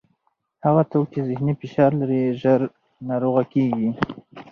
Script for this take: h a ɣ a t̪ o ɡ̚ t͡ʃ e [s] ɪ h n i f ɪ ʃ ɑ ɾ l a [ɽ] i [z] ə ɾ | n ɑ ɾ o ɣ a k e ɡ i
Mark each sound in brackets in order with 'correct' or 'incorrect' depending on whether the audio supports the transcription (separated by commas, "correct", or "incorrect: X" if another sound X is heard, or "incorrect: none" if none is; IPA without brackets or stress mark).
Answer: incorrect: z, incorrect: ɾ, incorrect: ʒ